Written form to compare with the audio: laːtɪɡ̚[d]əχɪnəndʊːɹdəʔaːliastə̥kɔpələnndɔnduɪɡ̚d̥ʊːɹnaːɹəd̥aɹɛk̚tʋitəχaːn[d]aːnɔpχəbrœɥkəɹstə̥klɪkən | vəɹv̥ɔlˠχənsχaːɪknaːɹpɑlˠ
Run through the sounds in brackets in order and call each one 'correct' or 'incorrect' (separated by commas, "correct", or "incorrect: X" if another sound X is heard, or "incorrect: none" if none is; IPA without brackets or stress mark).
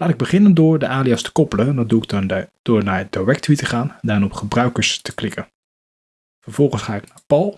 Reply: incorrect: b, correct